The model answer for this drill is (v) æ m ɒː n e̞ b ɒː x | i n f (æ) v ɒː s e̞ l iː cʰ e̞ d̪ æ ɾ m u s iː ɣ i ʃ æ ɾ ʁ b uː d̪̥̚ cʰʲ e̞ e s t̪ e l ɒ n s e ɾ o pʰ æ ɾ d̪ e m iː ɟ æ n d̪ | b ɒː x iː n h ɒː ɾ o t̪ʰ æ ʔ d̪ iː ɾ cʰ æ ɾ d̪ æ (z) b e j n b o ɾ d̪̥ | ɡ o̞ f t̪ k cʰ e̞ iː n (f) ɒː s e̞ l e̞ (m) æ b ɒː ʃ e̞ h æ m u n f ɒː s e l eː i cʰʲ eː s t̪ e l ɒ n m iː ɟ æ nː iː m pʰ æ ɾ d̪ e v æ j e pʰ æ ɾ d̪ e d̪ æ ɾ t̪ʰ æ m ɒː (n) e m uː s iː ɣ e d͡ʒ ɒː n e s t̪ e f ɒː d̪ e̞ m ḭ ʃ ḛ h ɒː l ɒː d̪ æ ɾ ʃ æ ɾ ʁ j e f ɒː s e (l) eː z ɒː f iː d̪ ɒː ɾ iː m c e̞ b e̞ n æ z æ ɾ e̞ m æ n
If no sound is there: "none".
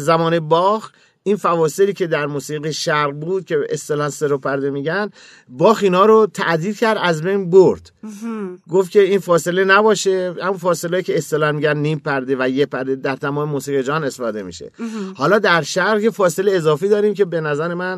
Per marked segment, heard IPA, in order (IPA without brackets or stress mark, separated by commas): z, æ, z, f, n, m, l